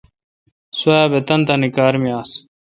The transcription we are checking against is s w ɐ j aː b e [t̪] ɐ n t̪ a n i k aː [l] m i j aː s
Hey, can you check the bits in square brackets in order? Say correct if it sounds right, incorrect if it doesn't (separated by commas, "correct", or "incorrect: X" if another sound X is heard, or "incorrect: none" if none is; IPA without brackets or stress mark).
correct, incorrect: ɾ